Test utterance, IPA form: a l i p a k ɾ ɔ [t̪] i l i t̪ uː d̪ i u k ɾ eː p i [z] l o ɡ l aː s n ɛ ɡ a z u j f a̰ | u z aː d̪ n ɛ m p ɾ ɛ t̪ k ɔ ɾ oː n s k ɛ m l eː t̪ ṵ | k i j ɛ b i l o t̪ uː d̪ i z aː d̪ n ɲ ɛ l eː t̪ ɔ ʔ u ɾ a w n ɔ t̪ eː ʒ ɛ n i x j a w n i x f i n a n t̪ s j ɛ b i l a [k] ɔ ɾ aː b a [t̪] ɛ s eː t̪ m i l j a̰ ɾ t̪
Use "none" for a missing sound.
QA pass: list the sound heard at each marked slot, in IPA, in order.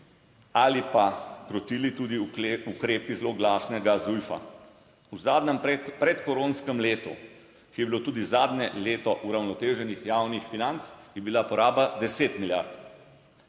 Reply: t̪, z, p, d̪

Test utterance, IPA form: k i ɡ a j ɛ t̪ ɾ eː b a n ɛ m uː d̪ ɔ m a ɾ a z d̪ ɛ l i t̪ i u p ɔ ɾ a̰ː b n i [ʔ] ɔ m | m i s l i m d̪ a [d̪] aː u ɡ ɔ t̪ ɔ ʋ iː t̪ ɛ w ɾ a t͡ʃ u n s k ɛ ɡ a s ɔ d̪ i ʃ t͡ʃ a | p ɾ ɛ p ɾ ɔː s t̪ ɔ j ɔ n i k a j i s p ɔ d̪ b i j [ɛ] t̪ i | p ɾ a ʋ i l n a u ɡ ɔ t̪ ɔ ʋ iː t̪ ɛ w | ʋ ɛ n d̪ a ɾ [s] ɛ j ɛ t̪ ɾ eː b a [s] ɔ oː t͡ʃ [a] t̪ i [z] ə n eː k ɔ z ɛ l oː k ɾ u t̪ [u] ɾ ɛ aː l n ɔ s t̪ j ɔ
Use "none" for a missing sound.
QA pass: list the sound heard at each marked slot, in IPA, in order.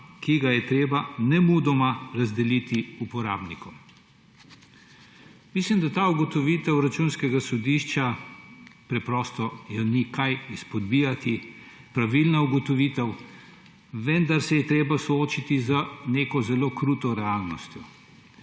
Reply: k, t̪, a, s, s, i, z, ɔ

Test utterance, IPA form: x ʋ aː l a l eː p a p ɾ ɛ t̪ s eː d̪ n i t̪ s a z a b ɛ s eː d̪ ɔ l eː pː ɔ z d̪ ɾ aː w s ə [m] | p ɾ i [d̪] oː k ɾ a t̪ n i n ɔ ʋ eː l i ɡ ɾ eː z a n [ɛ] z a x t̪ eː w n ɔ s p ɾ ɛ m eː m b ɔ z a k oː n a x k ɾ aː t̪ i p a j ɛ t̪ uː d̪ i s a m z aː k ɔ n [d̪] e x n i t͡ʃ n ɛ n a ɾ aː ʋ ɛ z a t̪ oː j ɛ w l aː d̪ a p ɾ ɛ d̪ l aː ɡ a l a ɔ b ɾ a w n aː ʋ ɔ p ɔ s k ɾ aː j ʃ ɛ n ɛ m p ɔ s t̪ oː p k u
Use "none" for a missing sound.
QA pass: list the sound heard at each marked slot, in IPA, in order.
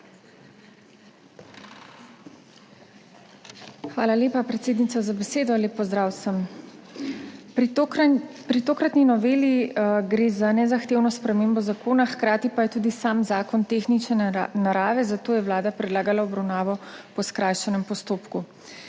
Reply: m, t̪, ɛ, t̪

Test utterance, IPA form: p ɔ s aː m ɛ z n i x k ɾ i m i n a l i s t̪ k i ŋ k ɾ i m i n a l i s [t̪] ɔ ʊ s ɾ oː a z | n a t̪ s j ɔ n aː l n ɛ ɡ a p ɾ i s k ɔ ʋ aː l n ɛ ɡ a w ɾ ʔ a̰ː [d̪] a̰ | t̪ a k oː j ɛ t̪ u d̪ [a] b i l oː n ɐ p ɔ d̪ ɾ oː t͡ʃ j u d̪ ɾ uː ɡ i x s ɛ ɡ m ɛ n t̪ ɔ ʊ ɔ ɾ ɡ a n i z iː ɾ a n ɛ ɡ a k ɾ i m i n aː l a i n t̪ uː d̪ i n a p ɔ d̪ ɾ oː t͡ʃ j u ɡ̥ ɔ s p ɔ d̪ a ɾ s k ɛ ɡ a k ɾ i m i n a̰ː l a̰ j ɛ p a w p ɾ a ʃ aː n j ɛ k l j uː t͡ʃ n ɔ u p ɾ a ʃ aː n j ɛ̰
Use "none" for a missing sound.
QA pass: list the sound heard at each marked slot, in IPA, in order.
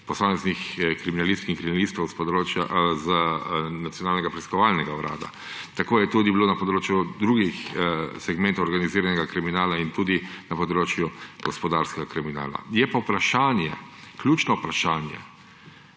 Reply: t̪, d̪, i

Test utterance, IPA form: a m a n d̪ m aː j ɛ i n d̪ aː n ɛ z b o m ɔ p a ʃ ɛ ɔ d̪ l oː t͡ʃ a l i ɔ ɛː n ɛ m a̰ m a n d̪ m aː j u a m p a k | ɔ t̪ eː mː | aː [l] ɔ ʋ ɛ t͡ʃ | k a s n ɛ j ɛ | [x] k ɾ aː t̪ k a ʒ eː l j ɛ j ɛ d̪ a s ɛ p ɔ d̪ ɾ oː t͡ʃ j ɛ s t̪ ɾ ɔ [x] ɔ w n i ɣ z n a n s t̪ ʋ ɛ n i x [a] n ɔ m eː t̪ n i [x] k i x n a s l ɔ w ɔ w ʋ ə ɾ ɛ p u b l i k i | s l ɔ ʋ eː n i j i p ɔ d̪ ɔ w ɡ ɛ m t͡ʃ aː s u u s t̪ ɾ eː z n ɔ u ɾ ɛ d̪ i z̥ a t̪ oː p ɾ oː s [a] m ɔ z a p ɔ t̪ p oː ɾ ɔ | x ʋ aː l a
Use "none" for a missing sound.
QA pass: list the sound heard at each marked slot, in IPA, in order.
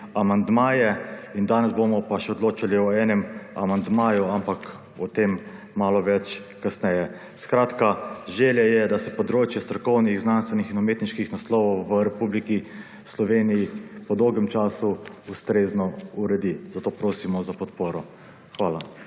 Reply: l, s, k, i, ʃ, i

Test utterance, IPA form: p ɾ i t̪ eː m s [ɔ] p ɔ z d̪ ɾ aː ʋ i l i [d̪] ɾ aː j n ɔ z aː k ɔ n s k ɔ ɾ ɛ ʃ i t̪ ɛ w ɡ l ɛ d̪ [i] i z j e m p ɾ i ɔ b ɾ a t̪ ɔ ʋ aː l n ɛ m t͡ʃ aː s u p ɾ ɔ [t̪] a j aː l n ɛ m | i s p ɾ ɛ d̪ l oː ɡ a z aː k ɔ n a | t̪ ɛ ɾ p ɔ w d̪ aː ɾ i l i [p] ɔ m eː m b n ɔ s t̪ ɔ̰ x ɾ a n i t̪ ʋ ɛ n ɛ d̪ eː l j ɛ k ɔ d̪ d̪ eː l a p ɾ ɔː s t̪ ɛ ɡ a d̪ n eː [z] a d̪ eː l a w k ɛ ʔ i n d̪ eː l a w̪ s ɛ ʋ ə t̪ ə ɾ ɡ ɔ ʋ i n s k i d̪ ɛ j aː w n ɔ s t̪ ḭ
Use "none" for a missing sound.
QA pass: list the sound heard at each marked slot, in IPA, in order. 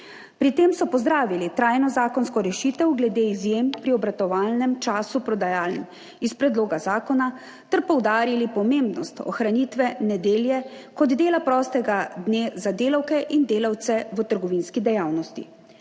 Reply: ɔ, t̪, e, d̪, p, z

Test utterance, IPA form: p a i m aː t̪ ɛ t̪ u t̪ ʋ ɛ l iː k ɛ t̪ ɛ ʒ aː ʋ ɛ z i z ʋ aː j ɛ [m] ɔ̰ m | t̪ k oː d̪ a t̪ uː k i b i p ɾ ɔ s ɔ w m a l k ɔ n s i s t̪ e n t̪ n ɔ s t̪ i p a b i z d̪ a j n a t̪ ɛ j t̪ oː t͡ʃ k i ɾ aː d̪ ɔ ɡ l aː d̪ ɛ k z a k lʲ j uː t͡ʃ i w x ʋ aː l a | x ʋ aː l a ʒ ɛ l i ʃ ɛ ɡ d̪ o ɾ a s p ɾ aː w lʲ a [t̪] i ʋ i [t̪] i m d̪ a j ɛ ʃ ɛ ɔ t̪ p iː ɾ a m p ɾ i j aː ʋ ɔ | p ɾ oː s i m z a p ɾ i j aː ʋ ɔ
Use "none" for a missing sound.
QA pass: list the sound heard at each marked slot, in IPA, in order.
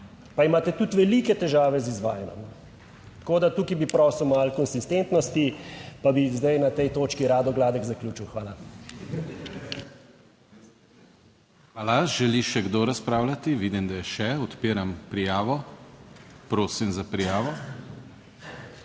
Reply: n, t̪, d̪

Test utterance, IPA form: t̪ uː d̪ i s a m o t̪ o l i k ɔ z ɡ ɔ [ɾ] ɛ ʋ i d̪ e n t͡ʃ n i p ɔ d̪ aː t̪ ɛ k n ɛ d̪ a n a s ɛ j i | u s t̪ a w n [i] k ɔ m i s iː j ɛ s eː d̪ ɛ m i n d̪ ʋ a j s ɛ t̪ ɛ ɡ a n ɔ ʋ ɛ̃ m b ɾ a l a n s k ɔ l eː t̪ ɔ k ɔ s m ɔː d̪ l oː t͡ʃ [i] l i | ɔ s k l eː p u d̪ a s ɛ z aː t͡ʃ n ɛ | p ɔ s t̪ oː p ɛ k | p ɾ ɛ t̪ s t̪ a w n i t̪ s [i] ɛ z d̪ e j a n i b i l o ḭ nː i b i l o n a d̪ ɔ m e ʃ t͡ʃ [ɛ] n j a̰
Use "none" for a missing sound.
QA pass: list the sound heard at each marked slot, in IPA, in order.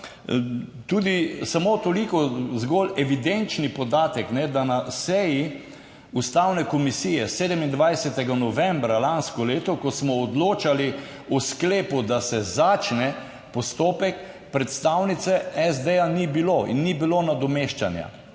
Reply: l, ɛ, a, ɛ, a

